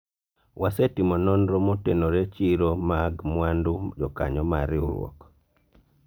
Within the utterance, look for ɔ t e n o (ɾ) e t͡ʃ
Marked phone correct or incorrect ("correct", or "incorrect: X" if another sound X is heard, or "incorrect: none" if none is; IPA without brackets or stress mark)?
correct